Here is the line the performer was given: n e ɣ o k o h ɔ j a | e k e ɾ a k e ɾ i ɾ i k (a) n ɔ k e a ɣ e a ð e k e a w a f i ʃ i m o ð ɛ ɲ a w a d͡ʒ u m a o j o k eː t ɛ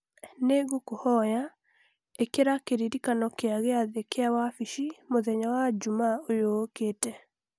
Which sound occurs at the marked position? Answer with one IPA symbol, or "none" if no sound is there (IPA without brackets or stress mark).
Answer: a